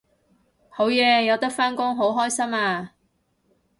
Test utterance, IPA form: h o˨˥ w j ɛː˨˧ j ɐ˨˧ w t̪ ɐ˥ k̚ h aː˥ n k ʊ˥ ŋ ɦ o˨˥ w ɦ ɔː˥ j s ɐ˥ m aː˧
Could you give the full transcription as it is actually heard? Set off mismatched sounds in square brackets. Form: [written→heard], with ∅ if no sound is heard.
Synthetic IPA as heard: h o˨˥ w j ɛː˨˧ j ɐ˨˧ w t̪ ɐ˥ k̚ [h→f] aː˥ n k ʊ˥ ŋ ɦ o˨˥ w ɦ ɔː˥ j s ɐ˥ m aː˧